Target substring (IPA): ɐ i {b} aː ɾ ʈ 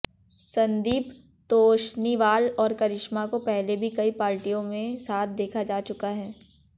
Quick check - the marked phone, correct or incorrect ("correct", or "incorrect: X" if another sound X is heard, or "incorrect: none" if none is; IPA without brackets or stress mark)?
incorrect: p